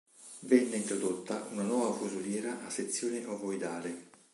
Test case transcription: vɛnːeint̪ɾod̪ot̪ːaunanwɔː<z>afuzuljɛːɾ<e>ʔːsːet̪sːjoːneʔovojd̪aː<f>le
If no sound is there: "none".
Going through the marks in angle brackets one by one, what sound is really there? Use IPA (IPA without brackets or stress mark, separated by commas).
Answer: v, a, none